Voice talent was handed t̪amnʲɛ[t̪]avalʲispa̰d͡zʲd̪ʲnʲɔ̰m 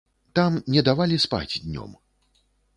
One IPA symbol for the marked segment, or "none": d̪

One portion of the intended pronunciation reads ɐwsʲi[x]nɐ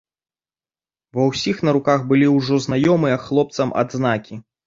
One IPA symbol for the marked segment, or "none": x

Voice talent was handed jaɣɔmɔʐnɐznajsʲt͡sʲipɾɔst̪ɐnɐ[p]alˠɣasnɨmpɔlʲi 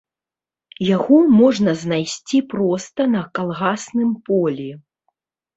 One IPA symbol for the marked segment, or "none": k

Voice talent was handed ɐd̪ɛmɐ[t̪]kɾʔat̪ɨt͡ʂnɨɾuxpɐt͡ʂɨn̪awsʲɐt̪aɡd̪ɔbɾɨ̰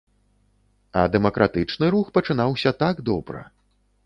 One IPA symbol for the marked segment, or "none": none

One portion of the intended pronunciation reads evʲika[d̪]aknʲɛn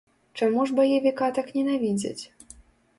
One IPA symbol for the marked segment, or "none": t̪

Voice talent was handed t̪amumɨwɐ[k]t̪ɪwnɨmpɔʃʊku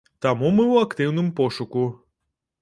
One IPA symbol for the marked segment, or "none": k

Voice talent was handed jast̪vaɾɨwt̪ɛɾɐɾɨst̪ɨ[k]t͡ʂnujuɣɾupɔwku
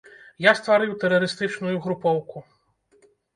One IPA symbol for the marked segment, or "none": none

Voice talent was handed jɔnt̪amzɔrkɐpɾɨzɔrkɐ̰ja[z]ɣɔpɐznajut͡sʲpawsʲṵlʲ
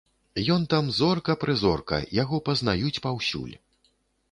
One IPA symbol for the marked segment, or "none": none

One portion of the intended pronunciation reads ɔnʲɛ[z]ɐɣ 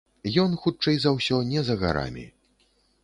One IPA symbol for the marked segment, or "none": z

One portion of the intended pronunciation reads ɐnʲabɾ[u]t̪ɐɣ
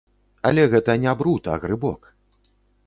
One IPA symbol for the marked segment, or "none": u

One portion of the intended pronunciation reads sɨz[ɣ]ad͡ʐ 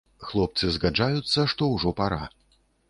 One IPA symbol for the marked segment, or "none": ɣ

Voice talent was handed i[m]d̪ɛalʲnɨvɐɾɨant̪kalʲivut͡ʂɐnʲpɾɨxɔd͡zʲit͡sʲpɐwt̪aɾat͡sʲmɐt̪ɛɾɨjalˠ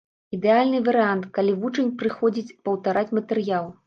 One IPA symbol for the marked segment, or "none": none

